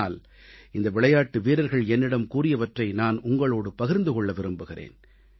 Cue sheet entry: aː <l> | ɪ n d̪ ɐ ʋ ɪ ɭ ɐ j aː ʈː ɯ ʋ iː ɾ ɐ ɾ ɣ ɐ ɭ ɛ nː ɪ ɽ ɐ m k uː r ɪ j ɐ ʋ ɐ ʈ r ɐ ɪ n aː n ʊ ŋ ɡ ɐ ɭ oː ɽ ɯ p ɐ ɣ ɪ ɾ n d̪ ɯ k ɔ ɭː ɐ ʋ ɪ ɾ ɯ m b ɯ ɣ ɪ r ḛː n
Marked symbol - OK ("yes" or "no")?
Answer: yes